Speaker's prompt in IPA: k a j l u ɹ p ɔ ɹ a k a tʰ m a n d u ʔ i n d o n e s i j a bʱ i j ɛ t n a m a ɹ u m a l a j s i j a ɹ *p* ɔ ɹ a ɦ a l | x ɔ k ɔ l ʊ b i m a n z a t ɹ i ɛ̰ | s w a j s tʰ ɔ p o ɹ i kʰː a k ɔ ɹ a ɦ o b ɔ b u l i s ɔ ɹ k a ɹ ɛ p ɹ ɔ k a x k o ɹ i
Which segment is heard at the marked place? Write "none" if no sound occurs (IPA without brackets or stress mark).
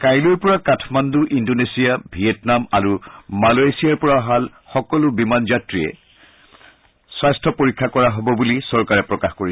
p